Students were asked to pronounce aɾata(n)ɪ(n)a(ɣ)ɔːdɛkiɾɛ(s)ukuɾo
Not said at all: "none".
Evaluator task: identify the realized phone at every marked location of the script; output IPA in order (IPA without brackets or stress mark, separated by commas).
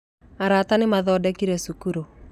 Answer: n, m, ð, s